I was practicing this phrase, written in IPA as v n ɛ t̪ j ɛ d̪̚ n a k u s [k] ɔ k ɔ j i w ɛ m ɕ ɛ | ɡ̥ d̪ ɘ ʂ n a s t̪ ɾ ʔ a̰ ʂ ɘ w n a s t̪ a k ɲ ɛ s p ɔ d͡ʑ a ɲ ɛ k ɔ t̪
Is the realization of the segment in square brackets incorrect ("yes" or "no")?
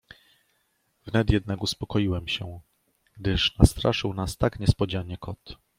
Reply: yes